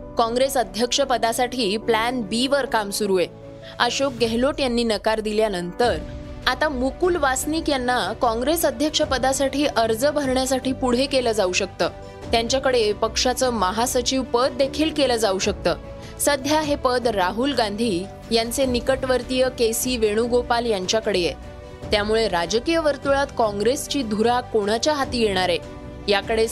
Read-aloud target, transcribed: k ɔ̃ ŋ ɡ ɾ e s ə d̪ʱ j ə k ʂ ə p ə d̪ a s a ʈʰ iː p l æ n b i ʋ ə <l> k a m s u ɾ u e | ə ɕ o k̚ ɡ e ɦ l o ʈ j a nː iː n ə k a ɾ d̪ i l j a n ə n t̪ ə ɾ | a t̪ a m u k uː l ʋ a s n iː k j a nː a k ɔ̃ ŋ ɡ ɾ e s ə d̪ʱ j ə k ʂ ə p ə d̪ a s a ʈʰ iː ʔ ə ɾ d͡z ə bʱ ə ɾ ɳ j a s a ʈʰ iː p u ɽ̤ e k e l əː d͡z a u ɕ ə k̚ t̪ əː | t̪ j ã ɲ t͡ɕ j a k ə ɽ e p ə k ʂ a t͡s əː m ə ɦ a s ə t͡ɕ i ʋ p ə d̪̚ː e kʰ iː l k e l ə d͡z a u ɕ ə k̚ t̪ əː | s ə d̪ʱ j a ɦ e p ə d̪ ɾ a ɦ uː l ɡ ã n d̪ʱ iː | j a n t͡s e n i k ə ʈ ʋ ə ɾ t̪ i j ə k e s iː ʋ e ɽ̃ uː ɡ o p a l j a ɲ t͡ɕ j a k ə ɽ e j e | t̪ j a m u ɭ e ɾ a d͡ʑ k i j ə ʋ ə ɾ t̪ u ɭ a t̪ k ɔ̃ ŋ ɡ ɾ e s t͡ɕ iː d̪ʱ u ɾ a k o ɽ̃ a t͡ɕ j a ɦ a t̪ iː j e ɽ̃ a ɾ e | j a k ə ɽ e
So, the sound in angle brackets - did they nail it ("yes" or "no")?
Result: no